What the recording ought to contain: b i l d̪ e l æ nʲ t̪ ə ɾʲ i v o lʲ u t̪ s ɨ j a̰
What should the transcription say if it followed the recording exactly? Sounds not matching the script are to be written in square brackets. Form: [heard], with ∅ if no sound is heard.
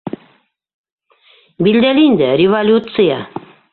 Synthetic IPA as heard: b i l d̪ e l [i] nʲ [d̪] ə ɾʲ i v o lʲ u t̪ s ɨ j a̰